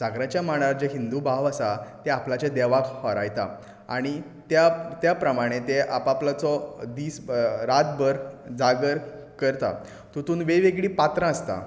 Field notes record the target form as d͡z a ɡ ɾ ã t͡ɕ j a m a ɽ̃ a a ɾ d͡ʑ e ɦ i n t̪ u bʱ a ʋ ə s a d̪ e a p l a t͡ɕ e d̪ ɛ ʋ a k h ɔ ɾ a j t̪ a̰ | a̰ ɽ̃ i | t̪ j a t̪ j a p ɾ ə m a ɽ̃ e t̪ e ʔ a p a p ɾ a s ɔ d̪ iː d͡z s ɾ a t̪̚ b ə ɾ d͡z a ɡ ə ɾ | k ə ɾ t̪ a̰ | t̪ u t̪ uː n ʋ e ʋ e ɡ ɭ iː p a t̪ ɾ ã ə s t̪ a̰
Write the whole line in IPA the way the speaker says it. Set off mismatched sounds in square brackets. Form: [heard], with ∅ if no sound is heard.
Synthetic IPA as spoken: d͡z a ɡ ɾ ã t͡ɕ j a m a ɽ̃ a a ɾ d͡ʑ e ɦ i n [d̪] u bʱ a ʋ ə s a [t̪] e a p l a t͡ɕ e d̪ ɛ ʋ a k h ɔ ɾ a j t̪ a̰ | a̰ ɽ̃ i | t̪ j a t̪ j a p ɾ ə m a ɽ̃ e t̪ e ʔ a p a p [l] a [t͡s] ɔ d̪ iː [∅] s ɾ a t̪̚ b ə ɾ d͡z a ɡ ə ɾ | k ə ɾ t̪ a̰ | t̪ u t̪ uː n ʋ e ʋ e ɡ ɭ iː p a t̪ ɾ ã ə s t̪ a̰